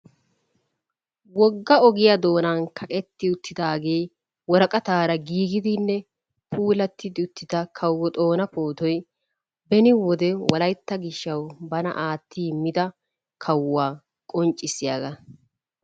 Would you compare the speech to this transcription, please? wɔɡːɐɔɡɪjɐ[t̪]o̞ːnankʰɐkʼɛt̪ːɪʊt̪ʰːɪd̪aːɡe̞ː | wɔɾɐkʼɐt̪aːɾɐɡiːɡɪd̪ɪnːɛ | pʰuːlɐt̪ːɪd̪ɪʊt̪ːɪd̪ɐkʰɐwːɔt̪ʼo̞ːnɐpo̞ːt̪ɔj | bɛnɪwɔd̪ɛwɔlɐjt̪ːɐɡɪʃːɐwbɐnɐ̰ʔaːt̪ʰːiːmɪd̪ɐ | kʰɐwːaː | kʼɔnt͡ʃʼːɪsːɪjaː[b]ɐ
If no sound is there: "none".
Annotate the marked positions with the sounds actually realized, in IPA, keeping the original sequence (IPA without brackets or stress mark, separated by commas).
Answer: d̪, ɡ